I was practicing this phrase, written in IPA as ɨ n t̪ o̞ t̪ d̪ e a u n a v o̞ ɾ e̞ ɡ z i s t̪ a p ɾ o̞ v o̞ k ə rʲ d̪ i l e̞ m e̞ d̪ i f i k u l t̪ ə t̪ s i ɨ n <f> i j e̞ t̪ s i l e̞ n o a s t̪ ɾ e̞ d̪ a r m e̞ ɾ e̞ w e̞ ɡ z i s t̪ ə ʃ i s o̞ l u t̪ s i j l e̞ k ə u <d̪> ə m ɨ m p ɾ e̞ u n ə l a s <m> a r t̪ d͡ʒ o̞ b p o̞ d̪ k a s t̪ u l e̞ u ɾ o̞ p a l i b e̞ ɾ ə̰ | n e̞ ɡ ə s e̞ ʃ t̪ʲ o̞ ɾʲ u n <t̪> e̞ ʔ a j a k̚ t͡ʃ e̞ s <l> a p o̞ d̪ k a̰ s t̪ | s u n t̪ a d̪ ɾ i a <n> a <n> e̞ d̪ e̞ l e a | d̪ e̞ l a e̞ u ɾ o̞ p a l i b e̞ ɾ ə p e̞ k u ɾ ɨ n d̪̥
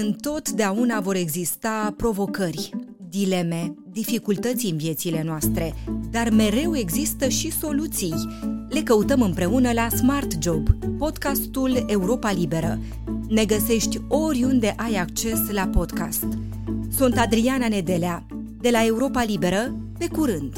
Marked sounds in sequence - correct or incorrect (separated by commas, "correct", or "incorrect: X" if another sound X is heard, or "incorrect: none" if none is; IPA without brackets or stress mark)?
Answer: incorrect: v, incorrect: t̪, correct, incorrect: d̪, correct, correct, correct